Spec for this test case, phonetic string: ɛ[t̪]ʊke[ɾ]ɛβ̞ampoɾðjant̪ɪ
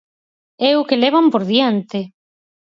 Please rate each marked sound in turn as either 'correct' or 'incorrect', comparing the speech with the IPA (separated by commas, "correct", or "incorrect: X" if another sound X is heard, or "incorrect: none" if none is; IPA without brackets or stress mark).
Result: incorrect: none, incorrect: l